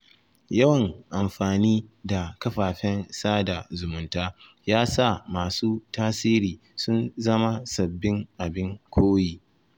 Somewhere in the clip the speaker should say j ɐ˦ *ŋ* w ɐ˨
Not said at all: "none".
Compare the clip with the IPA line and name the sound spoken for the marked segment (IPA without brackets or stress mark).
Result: none